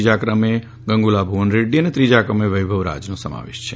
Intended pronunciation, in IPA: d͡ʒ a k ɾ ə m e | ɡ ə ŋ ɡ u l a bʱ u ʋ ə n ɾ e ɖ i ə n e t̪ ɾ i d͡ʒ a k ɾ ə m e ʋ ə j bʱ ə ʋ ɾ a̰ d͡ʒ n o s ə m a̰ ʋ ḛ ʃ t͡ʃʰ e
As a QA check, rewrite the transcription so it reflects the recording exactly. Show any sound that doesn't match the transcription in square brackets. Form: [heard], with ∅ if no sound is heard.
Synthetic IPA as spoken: d͡ʒ a k ɾ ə m e | ɡ ə ŋ ɡ u l a bʱ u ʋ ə n ɾ e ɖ i ə n e t̪ ɾ i d͡ʒ a k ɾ ə m e ʋ ə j bʱ ə ʋ ɾ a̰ d͡ʒ n o s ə m a̰ ʋ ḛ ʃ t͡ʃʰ e